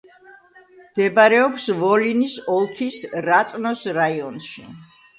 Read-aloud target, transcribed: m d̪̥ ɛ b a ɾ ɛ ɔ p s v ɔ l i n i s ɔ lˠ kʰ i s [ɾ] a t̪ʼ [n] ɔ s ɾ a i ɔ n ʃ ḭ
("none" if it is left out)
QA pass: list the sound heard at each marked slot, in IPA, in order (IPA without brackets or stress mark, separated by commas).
ɾ, n